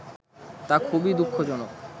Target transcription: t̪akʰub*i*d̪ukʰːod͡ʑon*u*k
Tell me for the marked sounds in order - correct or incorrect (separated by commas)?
correct, incorrect